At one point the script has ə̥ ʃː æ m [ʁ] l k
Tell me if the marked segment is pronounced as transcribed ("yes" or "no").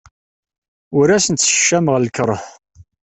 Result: yes